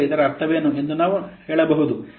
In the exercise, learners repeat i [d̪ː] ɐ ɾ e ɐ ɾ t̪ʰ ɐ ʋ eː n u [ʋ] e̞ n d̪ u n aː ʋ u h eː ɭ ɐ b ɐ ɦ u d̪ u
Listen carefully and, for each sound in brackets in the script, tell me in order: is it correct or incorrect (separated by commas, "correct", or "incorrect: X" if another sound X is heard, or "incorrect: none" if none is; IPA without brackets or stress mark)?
incorrect: d̪, incorrect: none